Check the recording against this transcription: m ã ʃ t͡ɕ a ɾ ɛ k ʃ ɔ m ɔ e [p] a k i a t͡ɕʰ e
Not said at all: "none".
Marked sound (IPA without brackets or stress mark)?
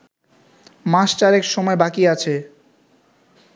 b